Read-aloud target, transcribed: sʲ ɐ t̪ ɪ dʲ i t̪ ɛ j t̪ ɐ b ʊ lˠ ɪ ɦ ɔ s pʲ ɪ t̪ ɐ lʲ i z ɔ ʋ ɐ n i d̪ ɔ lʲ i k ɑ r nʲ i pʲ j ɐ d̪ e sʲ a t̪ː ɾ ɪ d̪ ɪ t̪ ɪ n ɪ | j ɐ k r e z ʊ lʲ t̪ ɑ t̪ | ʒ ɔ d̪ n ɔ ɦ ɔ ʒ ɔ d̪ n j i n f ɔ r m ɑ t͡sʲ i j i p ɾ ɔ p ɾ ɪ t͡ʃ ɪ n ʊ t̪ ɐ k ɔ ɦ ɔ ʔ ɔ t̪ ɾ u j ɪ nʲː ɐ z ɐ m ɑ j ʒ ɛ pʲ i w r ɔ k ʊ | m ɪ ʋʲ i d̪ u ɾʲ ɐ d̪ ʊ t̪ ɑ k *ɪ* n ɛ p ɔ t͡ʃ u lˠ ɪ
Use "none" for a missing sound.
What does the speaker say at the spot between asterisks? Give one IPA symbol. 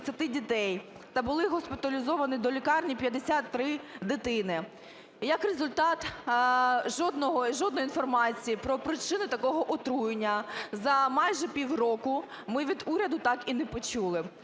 i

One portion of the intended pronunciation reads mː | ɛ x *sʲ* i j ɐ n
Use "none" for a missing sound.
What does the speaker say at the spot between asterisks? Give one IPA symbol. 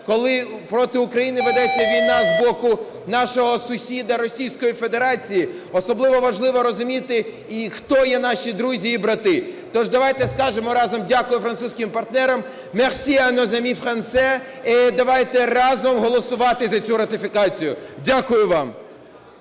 sʲ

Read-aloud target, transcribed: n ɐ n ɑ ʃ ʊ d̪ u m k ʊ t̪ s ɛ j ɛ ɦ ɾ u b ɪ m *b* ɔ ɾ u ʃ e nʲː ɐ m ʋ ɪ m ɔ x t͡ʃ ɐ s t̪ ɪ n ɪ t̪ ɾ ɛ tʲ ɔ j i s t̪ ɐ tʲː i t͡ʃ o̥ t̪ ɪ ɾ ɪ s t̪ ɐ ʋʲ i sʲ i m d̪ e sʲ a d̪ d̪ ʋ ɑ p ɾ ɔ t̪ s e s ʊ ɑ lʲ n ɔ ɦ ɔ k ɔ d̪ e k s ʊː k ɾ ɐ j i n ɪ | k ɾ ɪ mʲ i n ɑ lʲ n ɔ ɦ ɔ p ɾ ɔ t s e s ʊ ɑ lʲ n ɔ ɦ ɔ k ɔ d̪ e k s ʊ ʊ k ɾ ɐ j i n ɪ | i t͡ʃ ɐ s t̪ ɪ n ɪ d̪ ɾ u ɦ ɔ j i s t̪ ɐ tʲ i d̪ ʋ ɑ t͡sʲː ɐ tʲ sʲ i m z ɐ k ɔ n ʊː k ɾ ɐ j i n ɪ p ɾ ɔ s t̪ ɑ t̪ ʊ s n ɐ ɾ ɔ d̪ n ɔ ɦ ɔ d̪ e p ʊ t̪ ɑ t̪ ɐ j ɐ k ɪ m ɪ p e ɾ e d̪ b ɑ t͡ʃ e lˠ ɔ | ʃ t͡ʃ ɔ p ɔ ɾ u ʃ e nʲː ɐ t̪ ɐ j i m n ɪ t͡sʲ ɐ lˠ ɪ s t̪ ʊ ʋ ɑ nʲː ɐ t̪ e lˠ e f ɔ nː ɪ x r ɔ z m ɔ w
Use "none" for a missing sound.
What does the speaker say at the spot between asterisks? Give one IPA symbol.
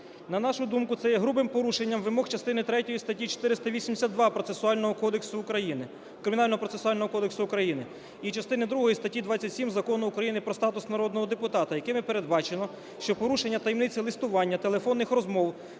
p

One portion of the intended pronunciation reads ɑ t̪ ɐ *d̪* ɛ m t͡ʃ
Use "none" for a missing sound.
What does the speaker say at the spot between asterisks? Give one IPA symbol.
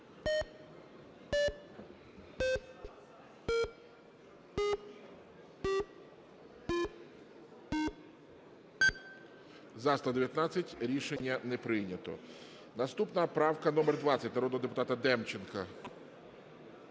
d̪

